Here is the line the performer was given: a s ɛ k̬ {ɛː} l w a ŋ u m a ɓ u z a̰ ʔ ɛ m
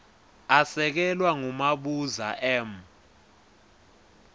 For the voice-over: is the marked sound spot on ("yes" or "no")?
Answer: no